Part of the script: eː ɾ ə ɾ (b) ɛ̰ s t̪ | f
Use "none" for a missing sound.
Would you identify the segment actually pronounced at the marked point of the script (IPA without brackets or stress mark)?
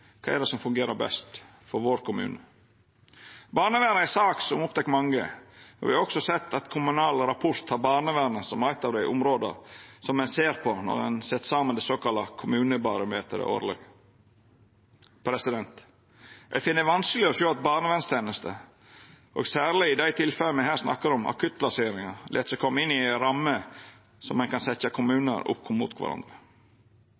b